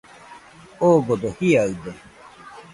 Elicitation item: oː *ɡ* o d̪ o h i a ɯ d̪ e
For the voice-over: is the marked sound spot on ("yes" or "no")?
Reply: yes